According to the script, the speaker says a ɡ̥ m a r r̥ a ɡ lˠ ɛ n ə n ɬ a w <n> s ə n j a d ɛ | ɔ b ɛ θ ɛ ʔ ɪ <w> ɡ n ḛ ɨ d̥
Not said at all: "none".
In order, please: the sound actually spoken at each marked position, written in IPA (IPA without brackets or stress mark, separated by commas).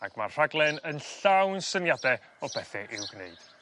n, w